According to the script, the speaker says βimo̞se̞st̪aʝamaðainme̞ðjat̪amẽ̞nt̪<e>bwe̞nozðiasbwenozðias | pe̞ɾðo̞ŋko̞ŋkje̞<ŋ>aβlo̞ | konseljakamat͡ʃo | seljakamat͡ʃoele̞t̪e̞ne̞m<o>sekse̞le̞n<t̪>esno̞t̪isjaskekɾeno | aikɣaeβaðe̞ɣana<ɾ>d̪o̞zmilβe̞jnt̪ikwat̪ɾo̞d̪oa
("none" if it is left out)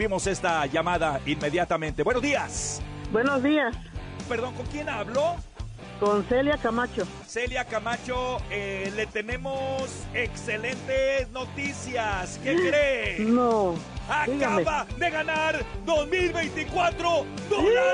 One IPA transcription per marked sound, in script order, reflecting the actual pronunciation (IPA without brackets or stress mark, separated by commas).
e, n, o, t̪, ɾ